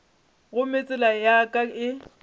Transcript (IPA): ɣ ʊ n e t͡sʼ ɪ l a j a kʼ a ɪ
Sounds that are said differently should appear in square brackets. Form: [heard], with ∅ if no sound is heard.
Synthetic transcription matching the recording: ɣ ʊ [m] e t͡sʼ ɪ l a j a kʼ a ɪ